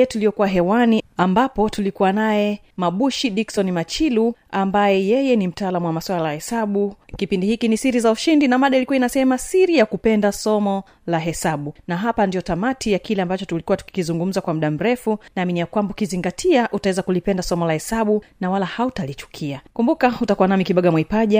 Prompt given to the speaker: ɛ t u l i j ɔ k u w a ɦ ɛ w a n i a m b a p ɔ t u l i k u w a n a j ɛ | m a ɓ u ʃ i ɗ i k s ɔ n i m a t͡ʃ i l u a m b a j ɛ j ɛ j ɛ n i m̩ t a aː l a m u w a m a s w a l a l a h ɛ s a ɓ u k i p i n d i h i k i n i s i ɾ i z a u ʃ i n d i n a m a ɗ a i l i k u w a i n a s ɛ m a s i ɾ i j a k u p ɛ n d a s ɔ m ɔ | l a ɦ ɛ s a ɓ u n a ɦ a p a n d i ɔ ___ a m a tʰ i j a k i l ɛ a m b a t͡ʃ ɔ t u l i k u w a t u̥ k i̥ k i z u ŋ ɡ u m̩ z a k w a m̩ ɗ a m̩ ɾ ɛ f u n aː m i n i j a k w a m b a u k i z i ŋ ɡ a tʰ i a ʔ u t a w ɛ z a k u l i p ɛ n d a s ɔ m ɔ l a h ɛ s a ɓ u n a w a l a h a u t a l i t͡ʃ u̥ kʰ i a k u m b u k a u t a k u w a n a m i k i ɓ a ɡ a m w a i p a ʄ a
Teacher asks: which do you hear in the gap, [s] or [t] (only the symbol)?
t